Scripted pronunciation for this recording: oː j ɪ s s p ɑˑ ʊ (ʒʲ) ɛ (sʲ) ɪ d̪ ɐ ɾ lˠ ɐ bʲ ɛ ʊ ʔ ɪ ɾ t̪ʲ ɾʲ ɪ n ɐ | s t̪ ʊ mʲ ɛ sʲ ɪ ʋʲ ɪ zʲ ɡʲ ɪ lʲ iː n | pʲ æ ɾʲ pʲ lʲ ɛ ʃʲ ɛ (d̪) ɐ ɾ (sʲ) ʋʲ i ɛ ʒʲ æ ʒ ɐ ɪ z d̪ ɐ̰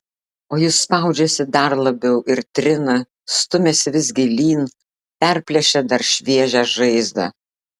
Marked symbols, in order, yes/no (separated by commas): no, yes, yes, no